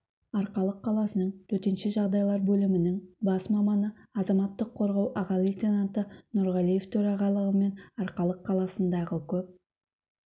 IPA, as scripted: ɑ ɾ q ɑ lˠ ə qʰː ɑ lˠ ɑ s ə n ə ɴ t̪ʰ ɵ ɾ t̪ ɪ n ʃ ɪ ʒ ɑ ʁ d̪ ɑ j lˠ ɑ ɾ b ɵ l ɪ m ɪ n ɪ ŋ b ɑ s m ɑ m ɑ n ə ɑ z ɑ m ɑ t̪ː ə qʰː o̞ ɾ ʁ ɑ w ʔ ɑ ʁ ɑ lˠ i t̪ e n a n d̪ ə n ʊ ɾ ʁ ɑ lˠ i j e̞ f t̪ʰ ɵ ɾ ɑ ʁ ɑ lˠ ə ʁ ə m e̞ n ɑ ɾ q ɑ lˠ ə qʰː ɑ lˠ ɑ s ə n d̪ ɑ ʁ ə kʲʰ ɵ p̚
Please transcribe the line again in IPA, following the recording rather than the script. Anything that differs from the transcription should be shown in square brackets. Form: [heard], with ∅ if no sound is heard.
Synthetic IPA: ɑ ɾ q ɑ lˠ ə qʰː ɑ lˠ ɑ s ə n ə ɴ t̪ʰ ɵ ɾ t̪ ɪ n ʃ ɪ ʒ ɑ ʁ d̪ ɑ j lˠ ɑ ɾ b ɵ l ɪ m ɪ n ɪ ŋ b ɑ s m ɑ m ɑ n ə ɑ z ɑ m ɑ t̪ː ə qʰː o̞ ɾ ʁ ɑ w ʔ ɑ ʁ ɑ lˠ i t̪ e n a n [t̪] ə n ʊ ɾ ʁ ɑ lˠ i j e̞ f t̪ʰ ɵ ɾ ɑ ʁ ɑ lˠ ə ʁ ə m e̞ n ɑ ɾ q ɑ lˠ ə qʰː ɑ lˠ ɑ s ə n d̪ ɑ ʁ ə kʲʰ ɵ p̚